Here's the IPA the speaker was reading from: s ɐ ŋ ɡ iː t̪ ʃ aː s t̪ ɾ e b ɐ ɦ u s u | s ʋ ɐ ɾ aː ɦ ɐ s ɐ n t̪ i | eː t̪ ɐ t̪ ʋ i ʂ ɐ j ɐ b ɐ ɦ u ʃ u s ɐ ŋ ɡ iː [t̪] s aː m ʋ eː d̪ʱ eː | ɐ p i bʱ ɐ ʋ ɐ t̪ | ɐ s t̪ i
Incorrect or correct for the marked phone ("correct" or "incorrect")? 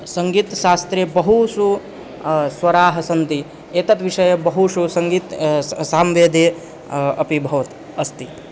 correct